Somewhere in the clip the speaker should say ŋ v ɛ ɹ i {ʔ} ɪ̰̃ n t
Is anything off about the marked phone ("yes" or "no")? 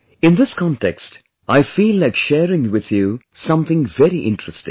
no